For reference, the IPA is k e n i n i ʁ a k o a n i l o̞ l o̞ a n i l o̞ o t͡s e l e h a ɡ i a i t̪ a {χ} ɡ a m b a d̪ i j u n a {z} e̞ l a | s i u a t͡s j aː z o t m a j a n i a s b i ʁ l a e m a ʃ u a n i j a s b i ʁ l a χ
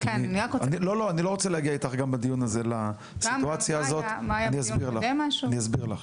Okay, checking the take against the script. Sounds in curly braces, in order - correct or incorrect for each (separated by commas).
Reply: correct, correct